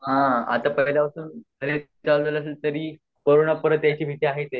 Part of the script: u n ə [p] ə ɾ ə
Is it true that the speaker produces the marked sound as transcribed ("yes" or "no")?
yes